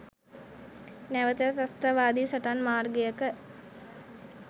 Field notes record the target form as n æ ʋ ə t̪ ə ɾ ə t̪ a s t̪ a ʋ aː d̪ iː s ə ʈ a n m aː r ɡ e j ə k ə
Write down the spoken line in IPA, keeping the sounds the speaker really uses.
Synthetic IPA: n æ ʋ ə t̪ ə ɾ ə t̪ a s t̪ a ʋ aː d̪ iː s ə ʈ a n m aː r ɡ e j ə k ə